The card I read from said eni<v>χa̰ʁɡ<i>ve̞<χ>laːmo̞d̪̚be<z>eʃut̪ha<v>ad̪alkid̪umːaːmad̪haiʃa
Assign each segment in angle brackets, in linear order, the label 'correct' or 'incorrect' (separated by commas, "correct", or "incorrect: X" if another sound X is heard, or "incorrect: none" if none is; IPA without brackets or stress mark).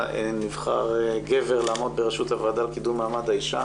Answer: correct, incorrect: e, incorrect: ʁ, incorrect: ʁ, correct